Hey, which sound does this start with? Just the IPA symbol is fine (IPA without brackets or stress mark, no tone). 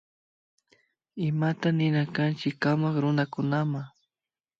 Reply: ɪ